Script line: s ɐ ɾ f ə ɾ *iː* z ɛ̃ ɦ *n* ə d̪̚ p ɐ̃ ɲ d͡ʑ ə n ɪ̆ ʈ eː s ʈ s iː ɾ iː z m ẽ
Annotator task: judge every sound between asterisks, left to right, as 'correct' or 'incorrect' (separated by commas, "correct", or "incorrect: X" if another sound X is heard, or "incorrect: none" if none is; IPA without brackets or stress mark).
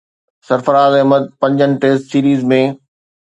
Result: incorrect: aː, incorrect: m